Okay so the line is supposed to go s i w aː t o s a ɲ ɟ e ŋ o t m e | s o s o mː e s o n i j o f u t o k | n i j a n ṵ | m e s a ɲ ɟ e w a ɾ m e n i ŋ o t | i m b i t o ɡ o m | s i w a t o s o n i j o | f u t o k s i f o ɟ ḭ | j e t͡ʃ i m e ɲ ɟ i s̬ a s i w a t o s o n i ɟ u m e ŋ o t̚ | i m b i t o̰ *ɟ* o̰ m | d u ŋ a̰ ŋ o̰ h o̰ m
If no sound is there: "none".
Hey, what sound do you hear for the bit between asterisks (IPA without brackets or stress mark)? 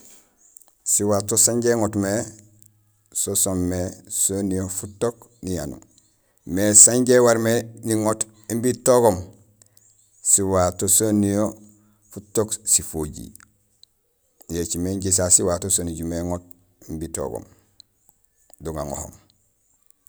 ɡ